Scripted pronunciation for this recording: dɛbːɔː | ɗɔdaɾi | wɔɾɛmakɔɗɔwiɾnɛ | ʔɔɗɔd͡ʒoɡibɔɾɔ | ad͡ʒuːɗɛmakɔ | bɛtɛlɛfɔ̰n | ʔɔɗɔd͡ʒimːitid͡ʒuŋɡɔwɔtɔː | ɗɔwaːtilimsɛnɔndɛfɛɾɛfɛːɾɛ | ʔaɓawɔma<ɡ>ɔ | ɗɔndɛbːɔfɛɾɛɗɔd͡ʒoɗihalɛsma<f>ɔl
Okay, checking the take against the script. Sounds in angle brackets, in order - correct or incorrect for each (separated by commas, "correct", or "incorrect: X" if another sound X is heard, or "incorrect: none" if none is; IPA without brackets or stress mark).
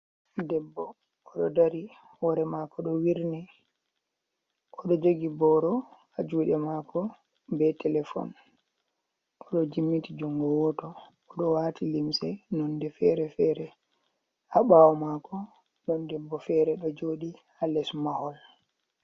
incorrect: k, incorrect: h